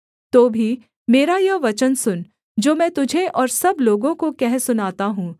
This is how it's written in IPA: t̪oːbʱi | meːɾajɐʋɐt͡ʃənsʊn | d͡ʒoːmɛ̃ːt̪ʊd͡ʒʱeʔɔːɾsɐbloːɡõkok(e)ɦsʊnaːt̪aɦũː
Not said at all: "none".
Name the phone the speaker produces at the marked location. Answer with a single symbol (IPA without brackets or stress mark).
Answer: ɛ